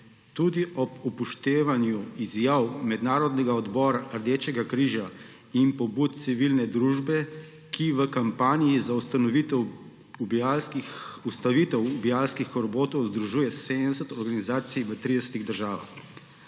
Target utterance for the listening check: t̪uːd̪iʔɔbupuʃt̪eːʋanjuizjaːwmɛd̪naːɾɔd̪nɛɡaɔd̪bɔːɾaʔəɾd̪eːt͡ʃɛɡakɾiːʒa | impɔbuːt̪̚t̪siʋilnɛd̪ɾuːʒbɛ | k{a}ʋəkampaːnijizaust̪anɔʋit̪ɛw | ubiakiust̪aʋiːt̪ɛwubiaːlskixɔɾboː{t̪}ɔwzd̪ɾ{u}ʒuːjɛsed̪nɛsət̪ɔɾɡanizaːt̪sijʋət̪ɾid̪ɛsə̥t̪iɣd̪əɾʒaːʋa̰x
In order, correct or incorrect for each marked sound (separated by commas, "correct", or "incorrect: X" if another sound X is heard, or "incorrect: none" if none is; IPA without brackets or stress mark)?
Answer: incorrect: i, correct, correct